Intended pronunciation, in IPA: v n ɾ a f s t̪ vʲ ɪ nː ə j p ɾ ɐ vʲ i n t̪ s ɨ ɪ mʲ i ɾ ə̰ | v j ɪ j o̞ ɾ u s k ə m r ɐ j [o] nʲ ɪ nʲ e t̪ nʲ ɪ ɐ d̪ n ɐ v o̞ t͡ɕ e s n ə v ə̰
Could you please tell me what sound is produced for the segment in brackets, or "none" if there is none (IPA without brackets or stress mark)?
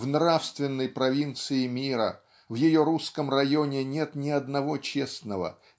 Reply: o